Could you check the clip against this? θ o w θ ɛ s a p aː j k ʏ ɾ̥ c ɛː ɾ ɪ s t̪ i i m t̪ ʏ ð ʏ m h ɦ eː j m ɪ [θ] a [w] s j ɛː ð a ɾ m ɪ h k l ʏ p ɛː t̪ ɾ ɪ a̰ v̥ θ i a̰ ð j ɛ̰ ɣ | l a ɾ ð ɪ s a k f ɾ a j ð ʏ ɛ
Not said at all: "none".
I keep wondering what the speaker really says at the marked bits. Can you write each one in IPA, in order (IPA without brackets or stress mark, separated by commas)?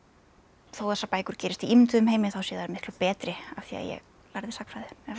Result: θ, w